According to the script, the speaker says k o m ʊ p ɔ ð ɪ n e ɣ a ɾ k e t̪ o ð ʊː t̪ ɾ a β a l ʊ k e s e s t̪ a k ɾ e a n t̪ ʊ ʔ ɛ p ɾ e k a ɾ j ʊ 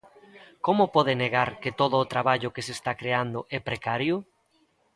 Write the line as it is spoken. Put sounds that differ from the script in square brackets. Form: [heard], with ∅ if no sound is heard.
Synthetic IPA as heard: k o m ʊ p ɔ ð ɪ n e ɣ a ɾ k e t̪ o ð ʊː t̪ ɾ a β a [ʎ] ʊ k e s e s t̪ a k ɾ e a n [d̪] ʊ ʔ ɛ p ɾ e k a ɾ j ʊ